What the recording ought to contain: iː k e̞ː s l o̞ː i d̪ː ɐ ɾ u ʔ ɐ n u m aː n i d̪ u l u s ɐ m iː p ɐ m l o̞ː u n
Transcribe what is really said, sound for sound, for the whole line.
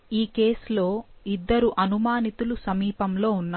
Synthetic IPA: iː k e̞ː s l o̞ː i d̪ː ɐ ɾ u ʔ ɐ n u m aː n i t̪ u l u s ɐ m iː p ɐ m l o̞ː u nː